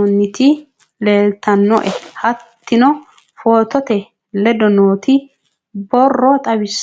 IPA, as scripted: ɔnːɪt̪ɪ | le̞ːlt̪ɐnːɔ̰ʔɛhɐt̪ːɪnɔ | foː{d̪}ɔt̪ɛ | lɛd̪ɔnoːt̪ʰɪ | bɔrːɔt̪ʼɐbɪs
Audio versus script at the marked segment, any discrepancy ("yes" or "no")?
yes